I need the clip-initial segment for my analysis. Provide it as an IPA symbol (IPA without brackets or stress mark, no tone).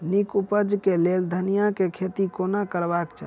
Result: n